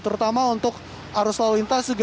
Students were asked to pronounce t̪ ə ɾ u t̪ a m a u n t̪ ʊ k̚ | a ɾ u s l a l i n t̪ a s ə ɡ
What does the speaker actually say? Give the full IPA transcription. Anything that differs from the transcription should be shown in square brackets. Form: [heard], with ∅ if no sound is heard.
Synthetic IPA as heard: t̪ ə ɾ u t̪ a m a u n t̪ ʊ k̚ | a ɾ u s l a l i n t̪ a s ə ɡ